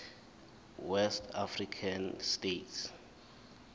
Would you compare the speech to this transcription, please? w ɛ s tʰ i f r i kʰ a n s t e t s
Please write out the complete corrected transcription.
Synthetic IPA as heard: w ɛ s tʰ a f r i kʰ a n s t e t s